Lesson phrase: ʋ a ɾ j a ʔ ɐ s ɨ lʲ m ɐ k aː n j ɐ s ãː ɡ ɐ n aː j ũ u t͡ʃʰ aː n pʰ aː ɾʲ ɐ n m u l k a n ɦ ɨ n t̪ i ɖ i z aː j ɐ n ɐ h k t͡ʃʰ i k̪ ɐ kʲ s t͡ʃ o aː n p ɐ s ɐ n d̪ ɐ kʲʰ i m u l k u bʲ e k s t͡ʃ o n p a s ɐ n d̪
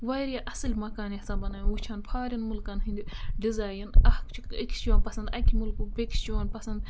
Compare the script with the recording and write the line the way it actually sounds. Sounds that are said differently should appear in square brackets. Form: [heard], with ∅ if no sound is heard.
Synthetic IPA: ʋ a ɾ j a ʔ ɐ s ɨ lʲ m ɐ k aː n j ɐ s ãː [b] ɐ n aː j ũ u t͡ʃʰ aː n pʰ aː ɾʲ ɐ n m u l k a n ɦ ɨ n [d̪] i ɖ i z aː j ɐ n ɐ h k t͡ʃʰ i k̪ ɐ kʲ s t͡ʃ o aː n p ɐ s ɐ n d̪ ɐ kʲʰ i m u l k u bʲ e k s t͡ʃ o n p [ɐ] s ɐ n d̪